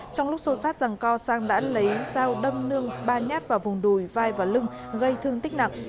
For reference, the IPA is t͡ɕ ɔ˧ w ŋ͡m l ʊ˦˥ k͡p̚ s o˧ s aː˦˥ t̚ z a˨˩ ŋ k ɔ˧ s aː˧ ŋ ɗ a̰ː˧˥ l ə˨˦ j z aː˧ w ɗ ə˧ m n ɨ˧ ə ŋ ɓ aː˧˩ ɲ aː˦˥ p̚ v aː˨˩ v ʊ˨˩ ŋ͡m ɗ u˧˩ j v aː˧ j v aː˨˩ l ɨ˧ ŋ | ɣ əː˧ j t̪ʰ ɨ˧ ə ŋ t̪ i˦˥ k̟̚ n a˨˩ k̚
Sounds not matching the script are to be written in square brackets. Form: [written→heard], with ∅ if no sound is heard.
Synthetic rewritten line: t͡ɕ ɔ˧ w ŋ͡m l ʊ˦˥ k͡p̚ s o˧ s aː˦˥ t̚ z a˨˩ ŋ k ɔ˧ s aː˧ ŋ ɗ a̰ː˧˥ l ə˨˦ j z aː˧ w ɗ ə˧ m n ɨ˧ ə ŋ ɓ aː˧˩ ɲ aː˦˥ [p̚→t̚] v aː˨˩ v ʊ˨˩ ŋ͡m ɗ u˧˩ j v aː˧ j v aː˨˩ l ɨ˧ ŋ | ɣ [əː˧→ə˧] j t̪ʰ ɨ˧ ə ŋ t̪ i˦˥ k̟̚ n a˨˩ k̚